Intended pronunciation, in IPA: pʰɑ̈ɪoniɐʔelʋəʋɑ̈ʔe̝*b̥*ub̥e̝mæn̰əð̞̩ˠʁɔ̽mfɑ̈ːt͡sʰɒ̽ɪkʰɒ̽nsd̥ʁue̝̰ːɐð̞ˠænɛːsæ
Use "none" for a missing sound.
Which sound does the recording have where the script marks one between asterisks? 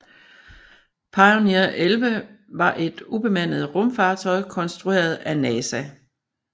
d̥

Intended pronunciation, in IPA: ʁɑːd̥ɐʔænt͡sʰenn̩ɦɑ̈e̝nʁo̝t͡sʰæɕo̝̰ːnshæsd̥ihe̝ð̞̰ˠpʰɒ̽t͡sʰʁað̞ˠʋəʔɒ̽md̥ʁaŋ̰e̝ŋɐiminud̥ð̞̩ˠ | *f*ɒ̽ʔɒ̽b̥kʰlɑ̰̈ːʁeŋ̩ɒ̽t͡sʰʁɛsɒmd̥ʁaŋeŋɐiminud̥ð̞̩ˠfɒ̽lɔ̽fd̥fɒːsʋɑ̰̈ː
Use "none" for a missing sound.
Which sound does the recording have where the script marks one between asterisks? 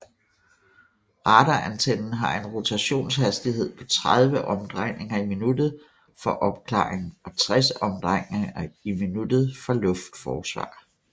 f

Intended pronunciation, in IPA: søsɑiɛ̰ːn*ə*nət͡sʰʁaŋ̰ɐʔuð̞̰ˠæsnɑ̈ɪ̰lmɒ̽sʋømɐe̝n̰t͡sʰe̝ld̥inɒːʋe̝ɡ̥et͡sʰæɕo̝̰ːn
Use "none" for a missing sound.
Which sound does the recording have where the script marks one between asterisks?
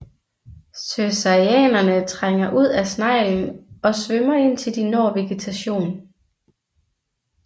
ɐ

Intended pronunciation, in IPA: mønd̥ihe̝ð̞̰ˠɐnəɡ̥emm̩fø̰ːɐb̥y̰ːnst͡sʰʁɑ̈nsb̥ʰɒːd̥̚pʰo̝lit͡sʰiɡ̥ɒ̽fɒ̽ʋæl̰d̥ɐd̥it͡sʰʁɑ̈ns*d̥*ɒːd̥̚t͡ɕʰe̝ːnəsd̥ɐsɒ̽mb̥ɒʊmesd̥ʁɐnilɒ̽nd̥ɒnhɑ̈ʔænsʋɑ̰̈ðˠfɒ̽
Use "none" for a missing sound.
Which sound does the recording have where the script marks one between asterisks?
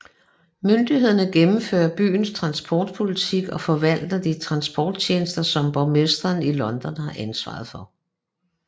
b̥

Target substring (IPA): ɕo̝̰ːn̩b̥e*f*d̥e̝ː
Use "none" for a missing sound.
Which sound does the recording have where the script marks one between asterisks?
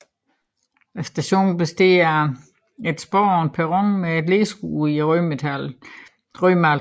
s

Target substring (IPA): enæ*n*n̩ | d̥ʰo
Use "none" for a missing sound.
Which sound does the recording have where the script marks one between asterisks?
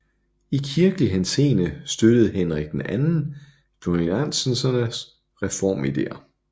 n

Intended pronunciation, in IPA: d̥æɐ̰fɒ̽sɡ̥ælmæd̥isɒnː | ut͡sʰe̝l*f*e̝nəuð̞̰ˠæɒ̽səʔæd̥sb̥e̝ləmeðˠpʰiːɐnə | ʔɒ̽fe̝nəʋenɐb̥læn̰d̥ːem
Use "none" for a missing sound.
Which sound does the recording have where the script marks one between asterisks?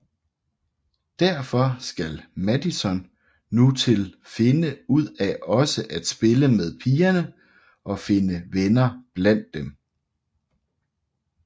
f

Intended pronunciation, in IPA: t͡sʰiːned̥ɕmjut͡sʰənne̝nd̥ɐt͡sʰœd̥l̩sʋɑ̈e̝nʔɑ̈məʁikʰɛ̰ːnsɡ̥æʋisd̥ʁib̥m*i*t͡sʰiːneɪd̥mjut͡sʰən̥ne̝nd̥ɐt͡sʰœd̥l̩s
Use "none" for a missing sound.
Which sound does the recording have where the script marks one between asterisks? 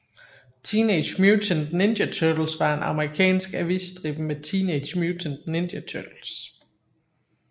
e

